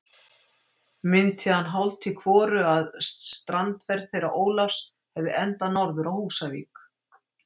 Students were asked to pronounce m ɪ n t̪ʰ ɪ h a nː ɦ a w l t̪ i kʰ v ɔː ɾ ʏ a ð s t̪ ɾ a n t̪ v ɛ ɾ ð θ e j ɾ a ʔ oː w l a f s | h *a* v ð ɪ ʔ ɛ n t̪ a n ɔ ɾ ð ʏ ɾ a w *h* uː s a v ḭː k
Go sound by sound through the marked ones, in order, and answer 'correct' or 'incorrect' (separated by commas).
incorrect, correct